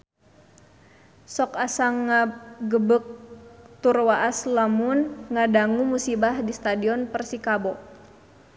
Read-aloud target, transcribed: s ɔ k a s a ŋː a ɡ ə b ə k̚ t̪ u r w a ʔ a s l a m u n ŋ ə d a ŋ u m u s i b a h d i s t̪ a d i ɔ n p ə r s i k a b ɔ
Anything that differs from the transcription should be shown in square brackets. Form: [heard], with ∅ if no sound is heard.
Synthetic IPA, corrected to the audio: s ɔ k a s a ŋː a ɡ ə b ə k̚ t̪ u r w a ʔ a s l a m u n ŋ [a] d a ŋ u m u s i b a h d i s t̪ a d i ɔ n p ə r s i k a b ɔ